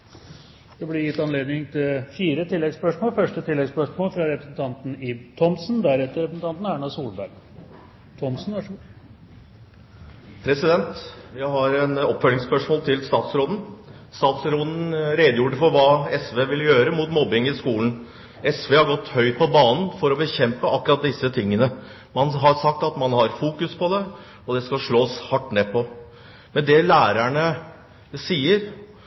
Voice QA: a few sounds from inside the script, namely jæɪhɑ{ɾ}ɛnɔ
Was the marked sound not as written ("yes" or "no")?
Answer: no